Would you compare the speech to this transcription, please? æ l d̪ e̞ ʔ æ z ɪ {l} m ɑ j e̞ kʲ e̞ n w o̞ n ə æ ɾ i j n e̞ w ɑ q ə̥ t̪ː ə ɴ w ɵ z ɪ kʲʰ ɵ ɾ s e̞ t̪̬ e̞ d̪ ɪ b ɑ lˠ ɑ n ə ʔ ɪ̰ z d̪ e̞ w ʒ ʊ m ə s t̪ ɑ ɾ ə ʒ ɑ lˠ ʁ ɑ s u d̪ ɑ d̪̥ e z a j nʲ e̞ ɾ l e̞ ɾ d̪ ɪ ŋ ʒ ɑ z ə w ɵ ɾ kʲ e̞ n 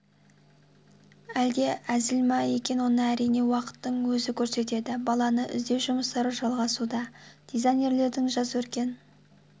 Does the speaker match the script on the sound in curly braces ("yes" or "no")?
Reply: yes